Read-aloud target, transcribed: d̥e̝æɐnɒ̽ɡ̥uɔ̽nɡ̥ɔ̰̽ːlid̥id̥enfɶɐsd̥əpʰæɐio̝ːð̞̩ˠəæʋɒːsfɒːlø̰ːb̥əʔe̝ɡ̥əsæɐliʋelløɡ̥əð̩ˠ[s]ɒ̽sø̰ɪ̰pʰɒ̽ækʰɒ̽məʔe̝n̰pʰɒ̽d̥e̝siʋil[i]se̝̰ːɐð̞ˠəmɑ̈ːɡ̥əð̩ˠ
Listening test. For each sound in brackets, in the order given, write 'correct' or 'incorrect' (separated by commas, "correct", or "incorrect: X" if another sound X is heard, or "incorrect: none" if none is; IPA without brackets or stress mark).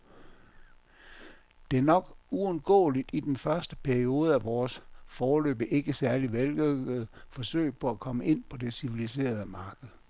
incorrect: f, correct